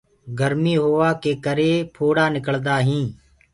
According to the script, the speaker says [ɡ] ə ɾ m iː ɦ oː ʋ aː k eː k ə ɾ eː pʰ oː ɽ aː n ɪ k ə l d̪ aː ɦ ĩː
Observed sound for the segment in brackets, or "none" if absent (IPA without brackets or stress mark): ɡ